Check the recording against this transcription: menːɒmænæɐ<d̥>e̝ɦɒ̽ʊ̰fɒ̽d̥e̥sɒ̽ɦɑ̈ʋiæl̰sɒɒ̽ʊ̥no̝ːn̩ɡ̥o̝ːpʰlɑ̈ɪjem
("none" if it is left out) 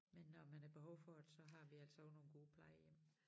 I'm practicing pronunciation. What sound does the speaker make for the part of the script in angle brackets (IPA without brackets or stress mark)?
b̥